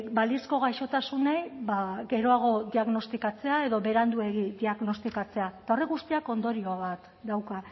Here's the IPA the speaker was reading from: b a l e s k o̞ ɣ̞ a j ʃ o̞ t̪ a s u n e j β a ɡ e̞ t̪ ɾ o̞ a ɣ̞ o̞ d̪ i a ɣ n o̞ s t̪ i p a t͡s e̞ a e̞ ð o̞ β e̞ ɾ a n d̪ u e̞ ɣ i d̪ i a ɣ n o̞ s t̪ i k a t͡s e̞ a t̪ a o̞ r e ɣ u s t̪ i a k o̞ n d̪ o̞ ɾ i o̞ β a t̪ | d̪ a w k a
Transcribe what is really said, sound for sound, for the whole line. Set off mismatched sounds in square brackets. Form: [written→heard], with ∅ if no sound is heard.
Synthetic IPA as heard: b a l [e→i] s k o̞ ɣ̞ a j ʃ o̞ t̪ a s u n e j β a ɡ e̞ [t̪→∅] ɾ o̞ a ɣ̞ o̞ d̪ i a ɣ n o̞ s t̪ i [p→k] a t͡s e̞ a e̞ ð o̞ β e̞ ɾ a n d̪ u e̞ ɣ i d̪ i a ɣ n o̞ s t̪ i k a t͡s e̞ a t̪ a o̞ r e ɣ u s t̪ i a k o̞ n d̪ o̞ ɾ i o̞ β a t̪ | d̪ a w k a